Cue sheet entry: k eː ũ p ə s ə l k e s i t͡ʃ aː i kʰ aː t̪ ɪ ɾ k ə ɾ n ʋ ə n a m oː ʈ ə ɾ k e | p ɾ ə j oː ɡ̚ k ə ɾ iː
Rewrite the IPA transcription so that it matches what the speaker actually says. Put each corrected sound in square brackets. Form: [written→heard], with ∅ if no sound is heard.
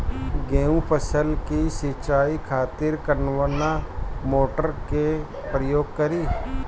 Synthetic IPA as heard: [k→ɡ] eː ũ p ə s ə l k [e→i] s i t͡ʃ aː i kʰ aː t̪ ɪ ɾ k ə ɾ n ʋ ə n a m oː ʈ ə ɾ k e | p ɾ ə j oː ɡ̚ k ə ɾ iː